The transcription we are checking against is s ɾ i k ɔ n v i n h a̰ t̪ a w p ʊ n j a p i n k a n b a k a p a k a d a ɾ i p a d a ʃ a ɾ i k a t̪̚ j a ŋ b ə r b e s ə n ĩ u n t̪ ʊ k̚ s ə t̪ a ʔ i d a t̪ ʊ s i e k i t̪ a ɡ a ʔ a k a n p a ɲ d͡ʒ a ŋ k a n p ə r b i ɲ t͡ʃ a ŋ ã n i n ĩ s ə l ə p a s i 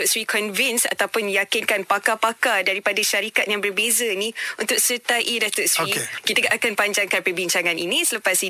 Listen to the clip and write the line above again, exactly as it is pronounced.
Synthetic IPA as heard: s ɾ i k ɔ n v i n s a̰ t̪ a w p ʊ n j a k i n k a n p a k a p a k a d a ɾ i p a d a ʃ a ɾ i k a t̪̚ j a ŋ b ə r b e z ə n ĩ u n t̪ ʊ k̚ s ə t̪ a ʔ i d a t̪ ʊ s i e k i t̪ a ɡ a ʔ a k a n p a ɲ d͡ʒ a ŋ k a n p ə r b i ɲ t͡ʃ a ŋ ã n i n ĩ s ə l ə p a s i